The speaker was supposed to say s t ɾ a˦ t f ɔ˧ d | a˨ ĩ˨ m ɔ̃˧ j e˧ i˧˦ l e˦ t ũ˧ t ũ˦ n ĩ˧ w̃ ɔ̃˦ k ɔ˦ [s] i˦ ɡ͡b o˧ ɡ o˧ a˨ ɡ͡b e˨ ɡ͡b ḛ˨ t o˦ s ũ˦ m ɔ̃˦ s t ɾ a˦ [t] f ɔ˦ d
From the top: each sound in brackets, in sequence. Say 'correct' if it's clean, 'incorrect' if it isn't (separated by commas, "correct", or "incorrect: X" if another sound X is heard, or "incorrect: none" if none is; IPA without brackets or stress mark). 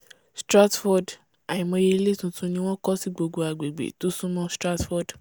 correct, correct